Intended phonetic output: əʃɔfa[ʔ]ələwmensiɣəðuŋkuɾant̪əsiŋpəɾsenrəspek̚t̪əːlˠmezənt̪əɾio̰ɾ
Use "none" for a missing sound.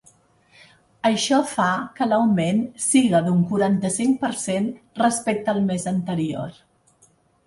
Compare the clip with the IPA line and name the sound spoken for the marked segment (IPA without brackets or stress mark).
k